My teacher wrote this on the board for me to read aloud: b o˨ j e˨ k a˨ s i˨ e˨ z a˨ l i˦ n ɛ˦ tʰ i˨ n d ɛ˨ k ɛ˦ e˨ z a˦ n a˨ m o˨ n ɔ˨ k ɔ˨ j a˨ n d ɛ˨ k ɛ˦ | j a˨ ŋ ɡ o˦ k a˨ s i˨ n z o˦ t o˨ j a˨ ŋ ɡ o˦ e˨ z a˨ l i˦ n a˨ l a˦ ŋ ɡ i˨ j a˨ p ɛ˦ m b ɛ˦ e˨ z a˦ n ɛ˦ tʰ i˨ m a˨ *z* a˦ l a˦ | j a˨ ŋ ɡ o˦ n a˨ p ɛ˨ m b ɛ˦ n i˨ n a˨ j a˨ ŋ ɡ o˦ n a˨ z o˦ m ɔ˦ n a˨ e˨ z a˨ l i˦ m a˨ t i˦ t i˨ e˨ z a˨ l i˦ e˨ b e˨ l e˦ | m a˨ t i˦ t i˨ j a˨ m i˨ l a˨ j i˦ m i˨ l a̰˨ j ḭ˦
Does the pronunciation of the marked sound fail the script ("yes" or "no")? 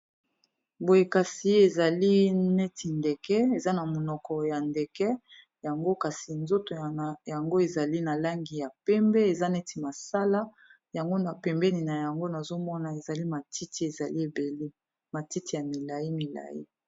yes